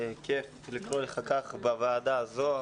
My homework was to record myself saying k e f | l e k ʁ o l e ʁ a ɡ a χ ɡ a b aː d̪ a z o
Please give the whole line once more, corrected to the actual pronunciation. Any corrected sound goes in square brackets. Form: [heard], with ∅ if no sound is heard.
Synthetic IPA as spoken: k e f | l [i] k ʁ o l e [χ] a [k] a χ [b] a [v] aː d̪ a z o